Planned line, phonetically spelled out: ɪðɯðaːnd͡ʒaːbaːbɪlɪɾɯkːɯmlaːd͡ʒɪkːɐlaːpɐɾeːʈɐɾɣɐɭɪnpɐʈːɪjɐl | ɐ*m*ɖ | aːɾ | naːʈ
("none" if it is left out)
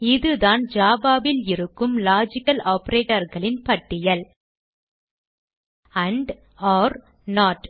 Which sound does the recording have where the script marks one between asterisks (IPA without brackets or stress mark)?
ɳ